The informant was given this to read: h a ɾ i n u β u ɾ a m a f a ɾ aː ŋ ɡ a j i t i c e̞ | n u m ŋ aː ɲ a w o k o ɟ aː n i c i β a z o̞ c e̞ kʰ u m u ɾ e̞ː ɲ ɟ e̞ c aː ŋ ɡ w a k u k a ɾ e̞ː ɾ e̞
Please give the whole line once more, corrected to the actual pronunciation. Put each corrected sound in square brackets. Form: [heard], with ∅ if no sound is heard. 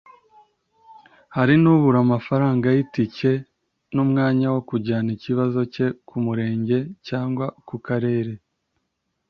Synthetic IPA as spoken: h a ɾ i n u β u ɾ a m a f a ɾ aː ŋ ɡ a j i t i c e̞ | n u m ŋ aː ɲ a w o k [u] ɟ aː n i c i β a z o̞ c e̞ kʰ u m u ɾ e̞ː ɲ ɟ e̞ c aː ŋ ɡ w a k u k a ɾ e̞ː ɾ e̞